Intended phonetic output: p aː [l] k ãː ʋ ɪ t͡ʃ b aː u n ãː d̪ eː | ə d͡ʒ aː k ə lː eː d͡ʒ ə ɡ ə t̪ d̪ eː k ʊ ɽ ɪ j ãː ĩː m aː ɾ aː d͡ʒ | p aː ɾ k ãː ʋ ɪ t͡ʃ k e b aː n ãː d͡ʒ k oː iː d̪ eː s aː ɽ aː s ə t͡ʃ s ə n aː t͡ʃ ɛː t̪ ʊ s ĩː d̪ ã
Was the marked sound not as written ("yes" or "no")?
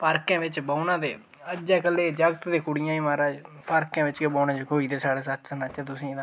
yes